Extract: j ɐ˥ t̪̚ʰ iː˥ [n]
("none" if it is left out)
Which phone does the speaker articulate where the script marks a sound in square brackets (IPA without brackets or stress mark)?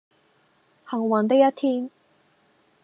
n